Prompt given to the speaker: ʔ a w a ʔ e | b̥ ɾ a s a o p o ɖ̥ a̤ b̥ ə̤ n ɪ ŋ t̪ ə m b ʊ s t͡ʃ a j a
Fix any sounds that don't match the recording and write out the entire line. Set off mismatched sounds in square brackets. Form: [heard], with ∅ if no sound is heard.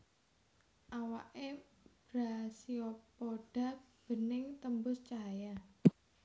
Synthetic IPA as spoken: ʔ a w a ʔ e | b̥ ɾ a s [i] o p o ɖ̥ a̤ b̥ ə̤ n ɪ ŋ t̪ ə m b ʊ s t͡ʃ a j a